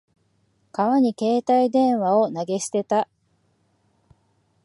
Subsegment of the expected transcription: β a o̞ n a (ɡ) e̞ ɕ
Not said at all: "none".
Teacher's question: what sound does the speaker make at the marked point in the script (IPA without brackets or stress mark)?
ɡ